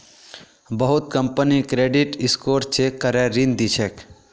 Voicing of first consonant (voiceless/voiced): voiced